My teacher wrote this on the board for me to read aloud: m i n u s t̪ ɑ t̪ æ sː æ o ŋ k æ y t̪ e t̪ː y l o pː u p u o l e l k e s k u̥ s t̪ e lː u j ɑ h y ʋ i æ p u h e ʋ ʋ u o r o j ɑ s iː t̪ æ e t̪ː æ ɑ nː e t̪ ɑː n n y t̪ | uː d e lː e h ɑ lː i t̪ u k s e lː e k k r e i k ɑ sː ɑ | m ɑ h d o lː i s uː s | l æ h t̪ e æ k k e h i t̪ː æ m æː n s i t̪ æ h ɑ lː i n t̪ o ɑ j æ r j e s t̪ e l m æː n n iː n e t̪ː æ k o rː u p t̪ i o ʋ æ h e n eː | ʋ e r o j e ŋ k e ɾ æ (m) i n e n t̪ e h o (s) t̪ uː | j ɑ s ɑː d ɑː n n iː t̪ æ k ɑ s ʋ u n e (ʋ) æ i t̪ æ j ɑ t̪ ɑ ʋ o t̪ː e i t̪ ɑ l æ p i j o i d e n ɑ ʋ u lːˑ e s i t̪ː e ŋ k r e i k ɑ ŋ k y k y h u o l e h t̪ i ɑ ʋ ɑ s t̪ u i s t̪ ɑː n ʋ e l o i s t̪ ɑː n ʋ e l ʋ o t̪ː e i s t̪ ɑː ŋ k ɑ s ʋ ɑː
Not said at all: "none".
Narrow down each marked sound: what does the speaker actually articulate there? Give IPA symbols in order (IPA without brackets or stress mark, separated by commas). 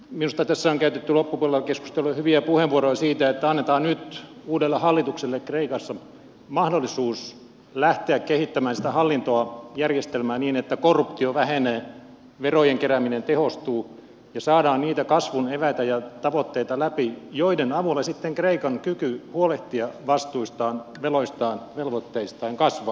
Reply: m, s, ʋ